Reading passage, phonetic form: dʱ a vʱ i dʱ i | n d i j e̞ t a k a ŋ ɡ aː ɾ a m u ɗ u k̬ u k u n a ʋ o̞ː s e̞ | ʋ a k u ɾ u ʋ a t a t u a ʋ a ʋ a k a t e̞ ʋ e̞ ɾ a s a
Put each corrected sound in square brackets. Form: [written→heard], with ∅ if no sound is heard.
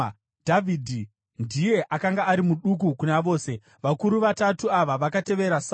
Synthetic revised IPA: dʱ a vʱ i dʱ i | n d i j e̞ [t→ʔ] a k a ŋ ɡ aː ɾ [a→i] m u ɗ u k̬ u k u n a ʋ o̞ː s e̞ | ʋ a k u ɾ u ʋ a t a t u a ʋ a ʋ a k a t e̞ ʋ e̞ ɾ a s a